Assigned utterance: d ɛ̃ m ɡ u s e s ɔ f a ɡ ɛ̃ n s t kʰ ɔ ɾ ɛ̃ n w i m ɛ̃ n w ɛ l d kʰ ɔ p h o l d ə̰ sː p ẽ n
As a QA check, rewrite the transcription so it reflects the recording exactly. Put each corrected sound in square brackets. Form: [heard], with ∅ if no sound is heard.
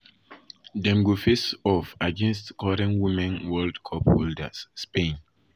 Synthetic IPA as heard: d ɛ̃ m ɡ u [f] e s ɔ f a ɡ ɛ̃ n s t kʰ ɔ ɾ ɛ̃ n w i m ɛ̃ n w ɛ l d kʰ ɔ p h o l d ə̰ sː p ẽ n